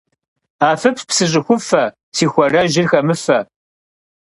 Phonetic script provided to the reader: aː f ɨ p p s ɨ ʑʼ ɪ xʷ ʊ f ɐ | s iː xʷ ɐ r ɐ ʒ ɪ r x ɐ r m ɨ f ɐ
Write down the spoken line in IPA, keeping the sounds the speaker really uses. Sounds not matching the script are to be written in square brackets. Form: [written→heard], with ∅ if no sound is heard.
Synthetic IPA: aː f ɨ p p s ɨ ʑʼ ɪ xʷ ʊ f ɐ | s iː xʷ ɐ r ɐ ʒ ɪ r x ɐ [r→∅] m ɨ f ɐ